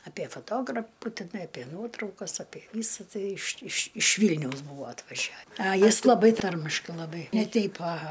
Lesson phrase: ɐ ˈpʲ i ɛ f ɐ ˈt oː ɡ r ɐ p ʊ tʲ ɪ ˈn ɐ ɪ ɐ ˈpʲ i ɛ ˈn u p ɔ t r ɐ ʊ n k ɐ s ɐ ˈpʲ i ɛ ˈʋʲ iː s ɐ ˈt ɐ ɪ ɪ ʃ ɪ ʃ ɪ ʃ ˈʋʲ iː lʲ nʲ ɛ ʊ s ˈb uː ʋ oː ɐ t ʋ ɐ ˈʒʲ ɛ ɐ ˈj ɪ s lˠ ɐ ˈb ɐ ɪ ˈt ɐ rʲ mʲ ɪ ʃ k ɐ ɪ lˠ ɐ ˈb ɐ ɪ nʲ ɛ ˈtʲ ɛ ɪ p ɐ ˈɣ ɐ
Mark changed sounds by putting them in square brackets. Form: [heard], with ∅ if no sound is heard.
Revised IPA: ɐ ˈpʲ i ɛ f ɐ ˈt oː ɡ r ɐ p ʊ tʲ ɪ ˈn ɐ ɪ ɐ ˈpʲ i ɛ ˈn u [∅] ɔ t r ɐ ʊ [∅] k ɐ s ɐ ˈpʲ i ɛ ˈʋʲ iː s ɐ ˈt ɐ ɪ ɪ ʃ ɪ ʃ ɪ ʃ ˈʋʲ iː lʲ nʲ ɛ ʊ s ˈb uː ʋ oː ɐ t ʋ ɐ ˈʒʲ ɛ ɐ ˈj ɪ s lˠ ɐ ˈb ɐ ɪ ˈt ɐ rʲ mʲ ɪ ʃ k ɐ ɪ lˠ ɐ ˈb ɐ ɪ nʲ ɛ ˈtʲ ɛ ɪ p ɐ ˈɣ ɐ

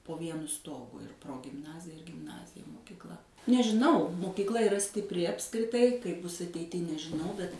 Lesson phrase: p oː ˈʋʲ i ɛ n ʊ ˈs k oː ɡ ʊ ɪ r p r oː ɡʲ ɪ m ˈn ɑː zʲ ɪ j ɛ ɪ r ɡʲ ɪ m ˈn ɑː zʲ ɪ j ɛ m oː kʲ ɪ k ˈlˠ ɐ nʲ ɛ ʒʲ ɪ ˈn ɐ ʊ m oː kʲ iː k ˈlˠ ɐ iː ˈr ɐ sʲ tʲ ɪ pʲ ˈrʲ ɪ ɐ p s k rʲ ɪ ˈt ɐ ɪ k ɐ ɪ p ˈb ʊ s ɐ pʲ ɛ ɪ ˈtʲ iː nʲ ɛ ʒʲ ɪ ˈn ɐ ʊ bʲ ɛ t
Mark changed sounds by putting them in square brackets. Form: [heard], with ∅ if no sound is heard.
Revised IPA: p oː ˈʋʲ i ɛ n ʊ ˈs [t] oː ɡ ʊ ɪ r p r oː ɡʲ ɪ m ˈn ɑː zʲ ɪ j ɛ ɪ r ɡʲ ɪ m ˈn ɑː zʲ ɪ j ɛ m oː kʲ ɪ k ˈlˠ ɐ nʲ ɛ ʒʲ ɪ ˈn ɐ ʊ m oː kʲ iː k ˈlˠ ɐ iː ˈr ɐ sʲ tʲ ɪ pʲ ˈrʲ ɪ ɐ p s k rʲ ɪ ˈt ɐ ɪ k ɐ ɪ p ˈb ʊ s ɐ [tʲ] ɛ ɪ ˈtʲ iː nʲ ɛ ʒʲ ɪ ˈn ɐ ʊ bʲ ɛ t

